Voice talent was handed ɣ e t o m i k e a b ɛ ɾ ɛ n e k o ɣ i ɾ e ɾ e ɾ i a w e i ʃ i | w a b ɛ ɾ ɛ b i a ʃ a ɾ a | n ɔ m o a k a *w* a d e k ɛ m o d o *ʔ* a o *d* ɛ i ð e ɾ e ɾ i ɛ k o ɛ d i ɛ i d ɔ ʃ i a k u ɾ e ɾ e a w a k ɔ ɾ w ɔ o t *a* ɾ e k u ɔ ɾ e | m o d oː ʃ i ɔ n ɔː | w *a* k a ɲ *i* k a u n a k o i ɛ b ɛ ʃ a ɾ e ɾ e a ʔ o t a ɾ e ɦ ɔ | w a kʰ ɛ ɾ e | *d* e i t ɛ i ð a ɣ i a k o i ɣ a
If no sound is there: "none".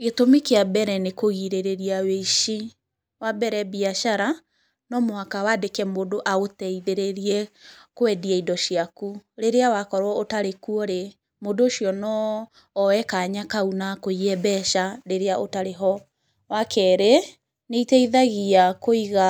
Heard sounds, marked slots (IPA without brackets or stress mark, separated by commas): w, ʔ, t, a, ɛ, a, n